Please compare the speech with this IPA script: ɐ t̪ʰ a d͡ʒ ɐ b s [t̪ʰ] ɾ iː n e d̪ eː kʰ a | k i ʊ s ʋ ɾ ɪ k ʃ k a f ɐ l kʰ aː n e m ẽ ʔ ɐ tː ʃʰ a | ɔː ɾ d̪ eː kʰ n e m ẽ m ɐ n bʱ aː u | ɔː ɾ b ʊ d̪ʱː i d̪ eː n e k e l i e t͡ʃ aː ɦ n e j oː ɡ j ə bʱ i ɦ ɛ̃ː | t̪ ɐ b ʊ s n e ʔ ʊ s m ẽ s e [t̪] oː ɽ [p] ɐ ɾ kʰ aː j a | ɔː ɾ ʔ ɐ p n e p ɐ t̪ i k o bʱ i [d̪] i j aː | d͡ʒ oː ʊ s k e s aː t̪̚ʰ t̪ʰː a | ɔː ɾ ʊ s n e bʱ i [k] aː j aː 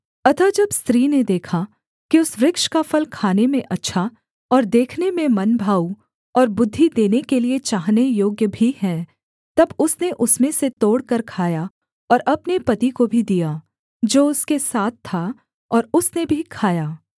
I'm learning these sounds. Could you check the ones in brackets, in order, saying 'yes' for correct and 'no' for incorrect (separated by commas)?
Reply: no, yes, no, yes, no